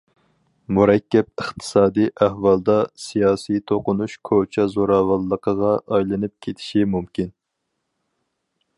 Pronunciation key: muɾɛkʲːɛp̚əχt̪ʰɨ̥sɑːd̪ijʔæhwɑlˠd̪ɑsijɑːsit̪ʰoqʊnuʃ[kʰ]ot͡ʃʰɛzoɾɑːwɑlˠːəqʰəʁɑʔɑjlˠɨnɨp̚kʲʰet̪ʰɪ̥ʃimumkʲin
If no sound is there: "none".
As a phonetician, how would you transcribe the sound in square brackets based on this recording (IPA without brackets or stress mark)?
kʰ